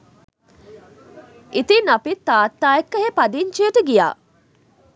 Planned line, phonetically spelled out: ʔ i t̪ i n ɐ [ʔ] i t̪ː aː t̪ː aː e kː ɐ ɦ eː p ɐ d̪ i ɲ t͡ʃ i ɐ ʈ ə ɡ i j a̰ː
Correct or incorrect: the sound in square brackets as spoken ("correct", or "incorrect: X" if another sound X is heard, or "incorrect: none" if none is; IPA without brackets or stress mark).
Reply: incorrect: p